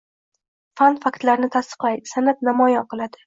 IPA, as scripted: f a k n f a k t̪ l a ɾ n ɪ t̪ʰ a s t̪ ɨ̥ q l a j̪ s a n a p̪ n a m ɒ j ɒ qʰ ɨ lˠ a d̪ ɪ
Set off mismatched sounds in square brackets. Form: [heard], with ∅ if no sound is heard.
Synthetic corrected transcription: f a [∅] n f a k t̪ l a ɾ n ɪ t̪ʰ a s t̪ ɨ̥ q l a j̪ s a n a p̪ n a m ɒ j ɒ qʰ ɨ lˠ a d̪ ɪ